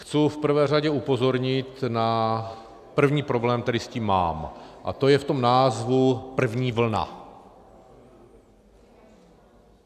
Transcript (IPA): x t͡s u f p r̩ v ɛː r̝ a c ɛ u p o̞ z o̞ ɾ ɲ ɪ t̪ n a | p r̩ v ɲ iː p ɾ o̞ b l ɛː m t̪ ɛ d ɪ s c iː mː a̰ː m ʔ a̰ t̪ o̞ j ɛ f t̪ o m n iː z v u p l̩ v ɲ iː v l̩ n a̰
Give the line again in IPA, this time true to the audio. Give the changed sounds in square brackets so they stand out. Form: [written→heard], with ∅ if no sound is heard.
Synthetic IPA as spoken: x t͡s u f p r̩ v ɛː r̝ a [c→ɟ] ɛ u p o̞ z o̞ ɾ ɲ ɪ t̪ n a | p r̩ v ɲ iː p ɾ o̞ b l ɛː m t̪ ɛ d ɪ s c iː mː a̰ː m ʔ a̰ t̪ o̞ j ɛ f t̪ o m n [iː→aː] z v u p [l̩→r̩] v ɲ iː v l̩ n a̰